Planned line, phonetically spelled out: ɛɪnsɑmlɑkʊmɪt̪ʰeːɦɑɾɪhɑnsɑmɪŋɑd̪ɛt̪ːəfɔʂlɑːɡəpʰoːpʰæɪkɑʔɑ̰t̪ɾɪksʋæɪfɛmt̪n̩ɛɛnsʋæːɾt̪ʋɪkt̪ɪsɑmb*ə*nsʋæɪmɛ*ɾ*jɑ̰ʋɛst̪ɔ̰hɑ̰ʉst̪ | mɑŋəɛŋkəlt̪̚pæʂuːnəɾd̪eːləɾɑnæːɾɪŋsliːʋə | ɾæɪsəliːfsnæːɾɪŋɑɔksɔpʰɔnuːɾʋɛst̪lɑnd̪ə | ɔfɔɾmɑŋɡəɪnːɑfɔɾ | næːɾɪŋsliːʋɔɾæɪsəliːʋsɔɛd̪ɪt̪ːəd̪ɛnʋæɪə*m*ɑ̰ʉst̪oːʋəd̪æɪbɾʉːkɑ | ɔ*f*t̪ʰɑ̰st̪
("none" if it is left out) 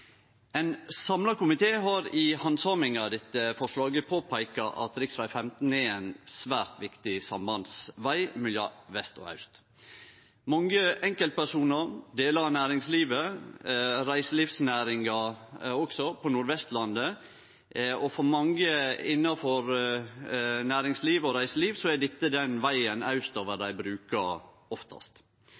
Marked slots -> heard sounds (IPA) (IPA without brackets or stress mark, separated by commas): ɑ, l, n, f